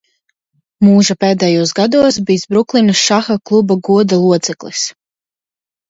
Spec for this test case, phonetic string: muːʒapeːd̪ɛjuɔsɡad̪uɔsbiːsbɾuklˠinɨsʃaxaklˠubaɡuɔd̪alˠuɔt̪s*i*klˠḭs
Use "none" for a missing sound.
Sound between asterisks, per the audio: ɛ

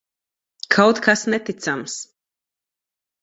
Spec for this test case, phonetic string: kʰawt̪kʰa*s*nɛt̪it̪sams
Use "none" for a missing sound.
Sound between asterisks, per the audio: s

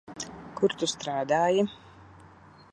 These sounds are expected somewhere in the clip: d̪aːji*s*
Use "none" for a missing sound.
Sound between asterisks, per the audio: none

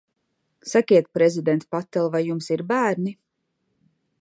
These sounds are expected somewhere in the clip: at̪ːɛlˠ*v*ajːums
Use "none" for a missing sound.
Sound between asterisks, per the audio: v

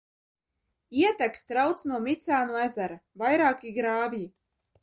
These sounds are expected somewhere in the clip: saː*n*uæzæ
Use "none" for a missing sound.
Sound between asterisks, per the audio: n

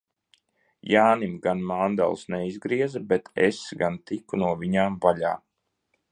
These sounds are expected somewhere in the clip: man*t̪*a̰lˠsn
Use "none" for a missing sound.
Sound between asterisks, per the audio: d̪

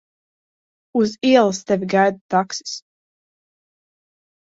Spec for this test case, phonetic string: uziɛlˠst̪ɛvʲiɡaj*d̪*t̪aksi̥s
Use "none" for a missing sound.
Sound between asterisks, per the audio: d̪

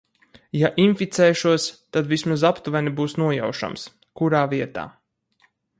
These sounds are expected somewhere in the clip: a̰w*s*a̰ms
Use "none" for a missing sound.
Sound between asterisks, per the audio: ʃ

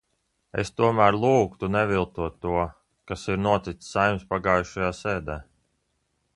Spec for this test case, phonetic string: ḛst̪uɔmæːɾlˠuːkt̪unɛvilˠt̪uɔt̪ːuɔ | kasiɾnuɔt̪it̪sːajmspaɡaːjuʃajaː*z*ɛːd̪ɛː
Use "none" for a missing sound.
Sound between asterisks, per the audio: s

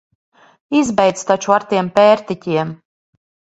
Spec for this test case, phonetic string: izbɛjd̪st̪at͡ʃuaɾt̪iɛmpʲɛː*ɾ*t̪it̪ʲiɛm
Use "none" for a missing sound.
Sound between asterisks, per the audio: ɾ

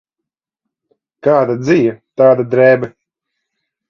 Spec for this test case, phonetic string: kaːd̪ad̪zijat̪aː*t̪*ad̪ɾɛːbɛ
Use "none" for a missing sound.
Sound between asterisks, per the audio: d̪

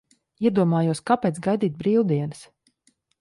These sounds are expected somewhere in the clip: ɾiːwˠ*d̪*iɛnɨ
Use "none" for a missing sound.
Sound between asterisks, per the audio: d̪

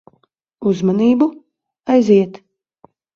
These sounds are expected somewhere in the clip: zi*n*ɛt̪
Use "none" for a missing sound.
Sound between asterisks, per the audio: none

